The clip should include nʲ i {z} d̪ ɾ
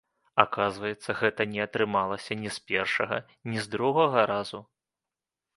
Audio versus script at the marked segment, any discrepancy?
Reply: no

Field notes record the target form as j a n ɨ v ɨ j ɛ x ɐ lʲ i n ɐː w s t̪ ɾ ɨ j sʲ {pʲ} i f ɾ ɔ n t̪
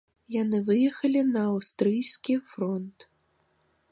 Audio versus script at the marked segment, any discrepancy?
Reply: yes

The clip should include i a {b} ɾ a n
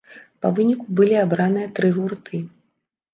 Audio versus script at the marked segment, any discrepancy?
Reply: no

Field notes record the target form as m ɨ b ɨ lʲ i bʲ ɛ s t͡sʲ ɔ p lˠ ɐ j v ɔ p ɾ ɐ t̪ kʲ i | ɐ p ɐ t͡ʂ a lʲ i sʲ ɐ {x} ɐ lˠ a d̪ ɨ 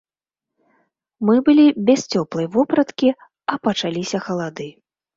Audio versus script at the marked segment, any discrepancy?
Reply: no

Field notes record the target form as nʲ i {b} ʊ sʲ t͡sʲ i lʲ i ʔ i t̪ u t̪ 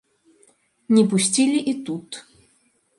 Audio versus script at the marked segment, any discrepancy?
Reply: yes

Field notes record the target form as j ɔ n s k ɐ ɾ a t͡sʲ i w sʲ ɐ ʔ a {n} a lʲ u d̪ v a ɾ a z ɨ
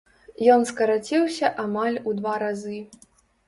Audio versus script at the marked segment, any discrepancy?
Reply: yes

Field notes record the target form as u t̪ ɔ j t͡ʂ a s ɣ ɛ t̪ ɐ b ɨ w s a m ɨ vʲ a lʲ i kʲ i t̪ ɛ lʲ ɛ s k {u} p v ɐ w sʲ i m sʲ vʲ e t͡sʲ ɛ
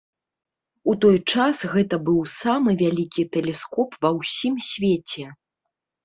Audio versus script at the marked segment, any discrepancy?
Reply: yes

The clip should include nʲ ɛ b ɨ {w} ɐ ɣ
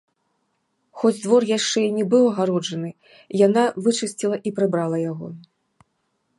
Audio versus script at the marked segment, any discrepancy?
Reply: no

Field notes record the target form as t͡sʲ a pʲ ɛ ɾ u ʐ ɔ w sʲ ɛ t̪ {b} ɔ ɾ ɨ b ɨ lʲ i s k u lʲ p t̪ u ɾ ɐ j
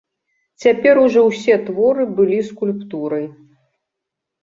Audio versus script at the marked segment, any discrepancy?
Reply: yes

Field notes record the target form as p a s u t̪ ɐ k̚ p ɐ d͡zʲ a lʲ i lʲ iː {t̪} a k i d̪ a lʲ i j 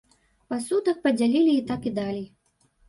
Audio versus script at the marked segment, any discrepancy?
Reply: no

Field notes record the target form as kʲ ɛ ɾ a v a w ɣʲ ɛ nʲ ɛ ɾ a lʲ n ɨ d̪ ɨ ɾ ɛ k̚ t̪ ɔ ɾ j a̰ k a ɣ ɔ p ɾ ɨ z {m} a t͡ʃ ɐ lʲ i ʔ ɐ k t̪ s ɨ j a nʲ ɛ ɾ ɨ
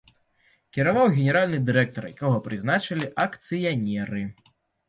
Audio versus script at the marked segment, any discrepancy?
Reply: yes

